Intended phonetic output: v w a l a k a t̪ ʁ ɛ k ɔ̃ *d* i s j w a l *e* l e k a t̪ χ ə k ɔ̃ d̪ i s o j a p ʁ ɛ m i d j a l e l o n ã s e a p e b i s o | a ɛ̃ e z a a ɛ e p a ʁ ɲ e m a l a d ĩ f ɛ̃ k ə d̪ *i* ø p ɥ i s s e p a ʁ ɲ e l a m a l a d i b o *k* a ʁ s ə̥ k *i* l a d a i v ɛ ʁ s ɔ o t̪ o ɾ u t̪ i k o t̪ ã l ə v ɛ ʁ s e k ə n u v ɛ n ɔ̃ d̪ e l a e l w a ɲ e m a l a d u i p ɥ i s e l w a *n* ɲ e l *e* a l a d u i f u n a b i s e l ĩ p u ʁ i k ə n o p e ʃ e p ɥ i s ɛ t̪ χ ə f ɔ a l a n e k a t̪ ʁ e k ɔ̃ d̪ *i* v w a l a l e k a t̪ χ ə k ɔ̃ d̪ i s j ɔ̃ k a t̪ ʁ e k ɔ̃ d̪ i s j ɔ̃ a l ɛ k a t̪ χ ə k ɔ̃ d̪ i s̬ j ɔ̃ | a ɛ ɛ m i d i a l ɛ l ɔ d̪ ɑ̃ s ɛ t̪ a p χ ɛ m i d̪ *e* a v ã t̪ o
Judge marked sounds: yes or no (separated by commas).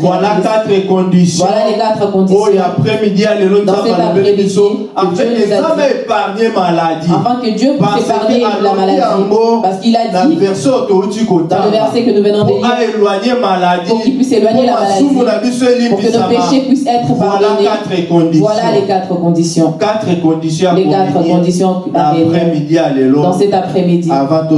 yes, no, no, no, yes, no, no, yes, no